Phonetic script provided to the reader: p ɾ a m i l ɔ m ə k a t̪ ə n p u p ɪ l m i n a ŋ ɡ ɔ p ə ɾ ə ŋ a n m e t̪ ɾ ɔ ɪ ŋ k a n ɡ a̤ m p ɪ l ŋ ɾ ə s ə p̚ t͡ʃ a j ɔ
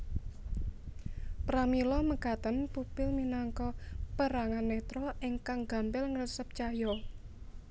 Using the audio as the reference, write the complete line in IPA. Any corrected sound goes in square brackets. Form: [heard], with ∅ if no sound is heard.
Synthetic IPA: p ɾ a m i l ɔ m ə k a t̪ ə n p u p ɪ l m i n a ŋ [k] ɔ p ə ɾ [a] ŋ a n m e t̪ ɾ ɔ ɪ ŋ k a [ŋ] ɡ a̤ m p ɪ l ŋ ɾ ə s ə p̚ t͡ʃ a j ɔ